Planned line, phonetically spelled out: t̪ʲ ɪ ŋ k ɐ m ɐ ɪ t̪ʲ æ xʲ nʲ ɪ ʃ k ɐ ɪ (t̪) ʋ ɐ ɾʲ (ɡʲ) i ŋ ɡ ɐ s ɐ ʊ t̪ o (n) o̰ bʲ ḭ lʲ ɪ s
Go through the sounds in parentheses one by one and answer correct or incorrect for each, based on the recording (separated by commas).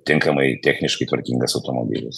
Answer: correct, incorrect, incorrect